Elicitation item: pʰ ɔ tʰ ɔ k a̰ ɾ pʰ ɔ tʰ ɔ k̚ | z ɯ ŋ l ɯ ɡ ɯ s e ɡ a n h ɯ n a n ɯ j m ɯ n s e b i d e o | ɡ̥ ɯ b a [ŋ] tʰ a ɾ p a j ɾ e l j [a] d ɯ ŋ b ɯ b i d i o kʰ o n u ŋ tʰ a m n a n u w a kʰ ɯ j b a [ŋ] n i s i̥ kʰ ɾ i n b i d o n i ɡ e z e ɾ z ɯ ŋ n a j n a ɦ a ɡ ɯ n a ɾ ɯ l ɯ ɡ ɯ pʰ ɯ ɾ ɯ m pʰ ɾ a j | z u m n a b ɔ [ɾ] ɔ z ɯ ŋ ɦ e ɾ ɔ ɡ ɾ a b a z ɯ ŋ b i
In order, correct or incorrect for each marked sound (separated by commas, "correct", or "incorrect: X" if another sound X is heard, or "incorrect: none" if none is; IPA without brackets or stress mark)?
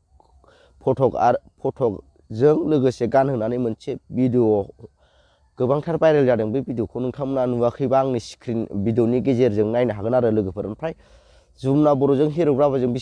correct, correct, correct, correct